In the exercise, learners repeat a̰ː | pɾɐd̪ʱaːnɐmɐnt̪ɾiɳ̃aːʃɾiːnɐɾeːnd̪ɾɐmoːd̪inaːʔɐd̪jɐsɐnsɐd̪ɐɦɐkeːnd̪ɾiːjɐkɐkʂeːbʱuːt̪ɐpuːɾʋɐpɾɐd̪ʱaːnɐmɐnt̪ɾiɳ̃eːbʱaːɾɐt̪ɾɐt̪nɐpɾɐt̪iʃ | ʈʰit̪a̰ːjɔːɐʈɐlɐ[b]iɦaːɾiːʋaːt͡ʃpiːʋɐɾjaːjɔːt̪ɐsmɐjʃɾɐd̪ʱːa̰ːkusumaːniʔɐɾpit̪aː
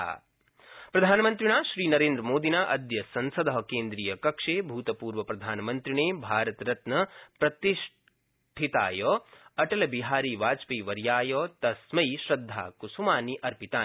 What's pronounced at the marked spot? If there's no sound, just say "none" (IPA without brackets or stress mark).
b